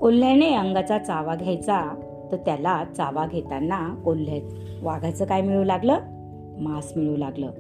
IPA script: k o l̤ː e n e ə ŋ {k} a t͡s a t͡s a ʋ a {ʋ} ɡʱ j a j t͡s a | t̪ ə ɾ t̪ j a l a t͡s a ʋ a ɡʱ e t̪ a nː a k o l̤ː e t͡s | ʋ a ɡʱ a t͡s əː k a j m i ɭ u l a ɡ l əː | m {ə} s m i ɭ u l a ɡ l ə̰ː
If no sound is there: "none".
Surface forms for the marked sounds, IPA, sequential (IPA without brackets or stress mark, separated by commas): ɡ, none, a